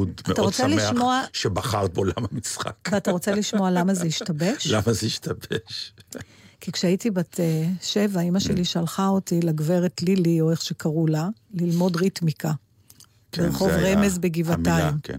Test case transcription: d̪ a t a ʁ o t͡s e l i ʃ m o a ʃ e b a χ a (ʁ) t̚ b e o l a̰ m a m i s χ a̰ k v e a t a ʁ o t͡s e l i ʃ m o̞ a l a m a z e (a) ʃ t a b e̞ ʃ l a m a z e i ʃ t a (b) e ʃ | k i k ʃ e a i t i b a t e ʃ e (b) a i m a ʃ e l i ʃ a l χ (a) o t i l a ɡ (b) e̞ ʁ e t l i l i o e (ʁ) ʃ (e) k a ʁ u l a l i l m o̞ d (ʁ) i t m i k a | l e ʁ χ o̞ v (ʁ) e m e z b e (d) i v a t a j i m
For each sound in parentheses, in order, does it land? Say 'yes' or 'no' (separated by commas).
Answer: yes, no, yes, no, yes, no, no, yes, yes, yes, no